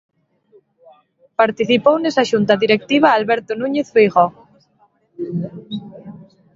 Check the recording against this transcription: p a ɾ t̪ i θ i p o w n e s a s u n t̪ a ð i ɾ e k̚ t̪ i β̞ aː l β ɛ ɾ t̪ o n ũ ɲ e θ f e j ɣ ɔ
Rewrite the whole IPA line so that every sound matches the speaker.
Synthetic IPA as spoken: p a ɾ t̪ i θ i p o w n e s a ʃ u n t̪ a ð i ɾ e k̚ t̪ i β̞ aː l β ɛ ɾ t̪ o n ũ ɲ e θ f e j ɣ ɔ